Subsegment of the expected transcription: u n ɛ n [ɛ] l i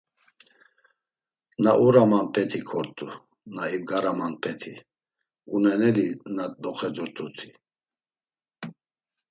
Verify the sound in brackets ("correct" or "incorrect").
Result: correct